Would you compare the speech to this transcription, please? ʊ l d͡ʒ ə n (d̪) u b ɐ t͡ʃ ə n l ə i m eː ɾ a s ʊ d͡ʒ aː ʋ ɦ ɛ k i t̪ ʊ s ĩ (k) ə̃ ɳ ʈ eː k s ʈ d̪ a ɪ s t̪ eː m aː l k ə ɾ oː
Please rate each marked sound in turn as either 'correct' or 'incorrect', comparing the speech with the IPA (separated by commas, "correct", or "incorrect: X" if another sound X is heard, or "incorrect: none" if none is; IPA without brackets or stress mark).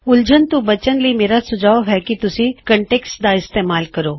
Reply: incorrect: t̪, correct